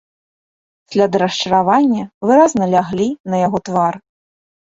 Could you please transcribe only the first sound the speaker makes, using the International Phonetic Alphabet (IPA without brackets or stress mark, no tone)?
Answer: sʲ